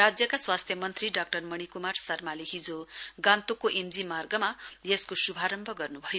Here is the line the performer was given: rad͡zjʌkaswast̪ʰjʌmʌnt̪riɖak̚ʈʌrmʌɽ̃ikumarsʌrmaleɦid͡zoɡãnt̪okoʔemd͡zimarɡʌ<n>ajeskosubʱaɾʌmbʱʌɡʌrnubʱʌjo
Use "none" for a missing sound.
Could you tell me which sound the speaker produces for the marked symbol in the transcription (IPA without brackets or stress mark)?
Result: m